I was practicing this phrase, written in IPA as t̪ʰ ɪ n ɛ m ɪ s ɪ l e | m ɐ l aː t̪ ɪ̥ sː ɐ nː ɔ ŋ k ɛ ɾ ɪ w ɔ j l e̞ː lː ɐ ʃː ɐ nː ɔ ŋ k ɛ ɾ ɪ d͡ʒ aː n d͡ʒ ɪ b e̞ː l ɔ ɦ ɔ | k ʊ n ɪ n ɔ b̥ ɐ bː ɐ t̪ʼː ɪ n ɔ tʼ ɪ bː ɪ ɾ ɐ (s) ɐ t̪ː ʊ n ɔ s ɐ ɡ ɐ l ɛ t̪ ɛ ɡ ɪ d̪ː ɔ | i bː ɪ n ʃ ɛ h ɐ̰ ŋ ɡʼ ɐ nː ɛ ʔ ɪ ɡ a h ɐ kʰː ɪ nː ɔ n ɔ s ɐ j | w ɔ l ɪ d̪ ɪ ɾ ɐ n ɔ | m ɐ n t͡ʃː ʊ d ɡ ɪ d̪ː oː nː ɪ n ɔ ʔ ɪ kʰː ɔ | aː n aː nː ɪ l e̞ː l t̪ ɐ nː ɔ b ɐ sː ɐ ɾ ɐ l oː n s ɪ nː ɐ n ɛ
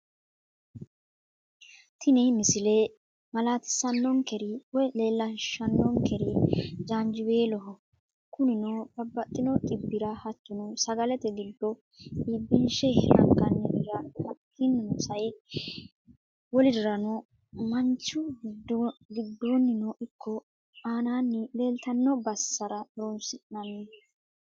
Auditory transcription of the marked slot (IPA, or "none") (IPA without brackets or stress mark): h